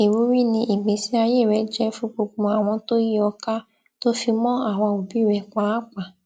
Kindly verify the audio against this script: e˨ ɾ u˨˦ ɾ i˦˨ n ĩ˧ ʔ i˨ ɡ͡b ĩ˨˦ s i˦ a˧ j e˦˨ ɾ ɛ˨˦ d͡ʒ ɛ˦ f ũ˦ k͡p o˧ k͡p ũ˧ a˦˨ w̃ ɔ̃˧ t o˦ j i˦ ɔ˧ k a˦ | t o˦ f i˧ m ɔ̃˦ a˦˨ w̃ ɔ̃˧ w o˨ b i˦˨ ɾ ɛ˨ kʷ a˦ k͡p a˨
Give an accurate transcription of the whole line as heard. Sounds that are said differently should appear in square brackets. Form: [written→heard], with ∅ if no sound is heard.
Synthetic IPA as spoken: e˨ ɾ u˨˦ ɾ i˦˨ n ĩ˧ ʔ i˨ ɡ͡b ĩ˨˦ s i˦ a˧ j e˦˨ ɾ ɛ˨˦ d͡ʒ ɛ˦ f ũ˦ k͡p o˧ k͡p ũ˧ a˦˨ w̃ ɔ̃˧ t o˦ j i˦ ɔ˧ k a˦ | t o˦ f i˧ m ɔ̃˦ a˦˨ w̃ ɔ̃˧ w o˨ b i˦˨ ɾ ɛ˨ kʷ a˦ k͡p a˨